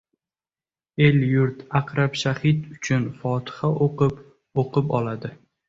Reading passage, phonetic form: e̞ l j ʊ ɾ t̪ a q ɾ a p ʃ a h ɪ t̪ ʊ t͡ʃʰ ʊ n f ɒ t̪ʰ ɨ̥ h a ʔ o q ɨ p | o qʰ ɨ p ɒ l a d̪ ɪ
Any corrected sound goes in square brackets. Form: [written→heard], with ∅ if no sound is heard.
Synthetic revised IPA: e̞ l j ʊ ɾ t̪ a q ɾ a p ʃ a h ɪ t̪ ʊ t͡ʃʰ ʊ n f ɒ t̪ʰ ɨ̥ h a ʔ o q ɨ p | o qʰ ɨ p ɒ l a d̪ ɪ